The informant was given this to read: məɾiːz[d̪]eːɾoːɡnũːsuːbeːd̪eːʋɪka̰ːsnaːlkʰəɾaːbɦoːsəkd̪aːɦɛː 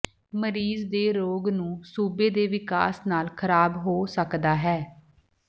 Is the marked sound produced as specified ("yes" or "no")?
yes